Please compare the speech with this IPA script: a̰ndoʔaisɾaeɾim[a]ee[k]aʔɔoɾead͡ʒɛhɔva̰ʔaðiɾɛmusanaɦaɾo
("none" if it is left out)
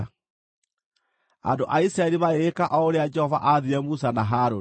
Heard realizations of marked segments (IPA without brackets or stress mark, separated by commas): a, k